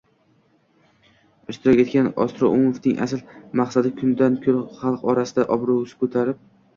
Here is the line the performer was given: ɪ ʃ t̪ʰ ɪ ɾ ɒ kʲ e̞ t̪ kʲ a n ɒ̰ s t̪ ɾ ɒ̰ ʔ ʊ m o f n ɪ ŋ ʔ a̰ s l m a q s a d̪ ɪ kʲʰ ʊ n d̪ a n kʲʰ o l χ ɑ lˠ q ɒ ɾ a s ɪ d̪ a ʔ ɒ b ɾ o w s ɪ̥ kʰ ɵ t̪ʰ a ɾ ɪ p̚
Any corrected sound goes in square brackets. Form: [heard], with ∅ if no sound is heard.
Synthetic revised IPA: ɪ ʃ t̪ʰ ɪ ɾ ɒ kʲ e̞ t̪ kʲ a n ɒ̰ s t̪ ɾ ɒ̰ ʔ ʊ m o f n ɪ ŋ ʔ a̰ s l m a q s a d̪ ɪ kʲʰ ʊ n d̪ a n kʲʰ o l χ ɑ lˠ q ɒ ɾ a s ɪ d̪ a ʔ ɒ b ɾ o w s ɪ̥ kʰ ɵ t̪ʰ a ɾ ɪ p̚